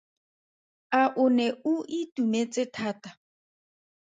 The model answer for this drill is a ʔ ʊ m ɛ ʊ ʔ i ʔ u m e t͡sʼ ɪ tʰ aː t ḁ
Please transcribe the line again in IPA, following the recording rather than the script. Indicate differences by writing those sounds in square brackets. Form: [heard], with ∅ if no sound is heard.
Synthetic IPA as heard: a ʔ ʊ [n] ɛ ʊ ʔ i [t] u m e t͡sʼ ɪ tʰ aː t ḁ